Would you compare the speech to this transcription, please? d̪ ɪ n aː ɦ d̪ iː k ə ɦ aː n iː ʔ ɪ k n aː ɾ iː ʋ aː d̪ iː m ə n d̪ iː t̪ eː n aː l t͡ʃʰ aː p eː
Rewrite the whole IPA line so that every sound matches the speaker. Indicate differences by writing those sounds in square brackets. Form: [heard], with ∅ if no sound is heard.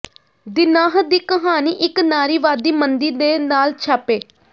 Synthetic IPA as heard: d̪ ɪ n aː ɦ d̪ iː k ə ɦ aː n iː ʔ ɪ k n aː ɾ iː ʋ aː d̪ iː m ə n d̪ iː [d̪] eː n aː l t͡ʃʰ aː p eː